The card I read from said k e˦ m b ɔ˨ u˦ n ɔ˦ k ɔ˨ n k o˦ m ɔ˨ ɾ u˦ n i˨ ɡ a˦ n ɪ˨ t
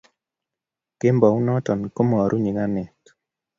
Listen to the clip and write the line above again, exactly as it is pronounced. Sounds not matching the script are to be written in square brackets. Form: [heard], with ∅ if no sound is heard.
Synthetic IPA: k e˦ m b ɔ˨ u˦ n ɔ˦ [t] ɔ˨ n k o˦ m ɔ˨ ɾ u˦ [ɲ] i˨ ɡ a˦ n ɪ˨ t